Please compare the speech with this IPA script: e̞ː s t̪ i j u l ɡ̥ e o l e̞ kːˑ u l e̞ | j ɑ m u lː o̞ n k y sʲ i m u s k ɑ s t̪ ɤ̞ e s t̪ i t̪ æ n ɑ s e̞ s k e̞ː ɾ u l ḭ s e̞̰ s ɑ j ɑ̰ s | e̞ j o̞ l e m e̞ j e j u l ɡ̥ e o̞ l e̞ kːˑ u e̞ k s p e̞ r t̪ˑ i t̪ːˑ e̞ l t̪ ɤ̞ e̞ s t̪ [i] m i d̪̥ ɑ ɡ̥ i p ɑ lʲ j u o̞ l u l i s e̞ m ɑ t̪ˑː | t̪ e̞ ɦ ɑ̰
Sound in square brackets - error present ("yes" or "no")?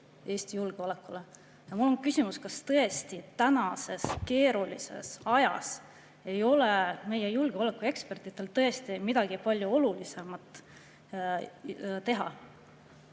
no